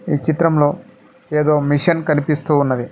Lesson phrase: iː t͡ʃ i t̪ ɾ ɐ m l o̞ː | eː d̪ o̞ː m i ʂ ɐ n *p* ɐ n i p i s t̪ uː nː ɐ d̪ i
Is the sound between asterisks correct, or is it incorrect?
incorrect